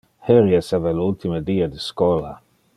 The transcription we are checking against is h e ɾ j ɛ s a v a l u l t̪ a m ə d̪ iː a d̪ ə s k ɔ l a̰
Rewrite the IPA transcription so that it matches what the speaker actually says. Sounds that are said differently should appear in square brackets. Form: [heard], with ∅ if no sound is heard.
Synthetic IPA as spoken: h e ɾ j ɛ s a v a l u l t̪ [i] m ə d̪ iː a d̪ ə s k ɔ l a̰